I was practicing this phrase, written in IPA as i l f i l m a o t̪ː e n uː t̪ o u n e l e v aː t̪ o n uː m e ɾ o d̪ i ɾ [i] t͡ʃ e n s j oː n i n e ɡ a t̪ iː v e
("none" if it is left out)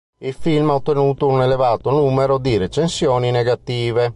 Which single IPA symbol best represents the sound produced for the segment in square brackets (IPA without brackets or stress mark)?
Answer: e